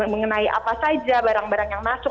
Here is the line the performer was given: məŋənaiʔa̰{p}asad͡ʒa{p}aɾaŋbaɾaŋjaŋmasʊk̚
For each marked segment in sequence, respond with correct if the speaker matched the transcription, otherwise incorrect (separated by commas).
correct, incorrect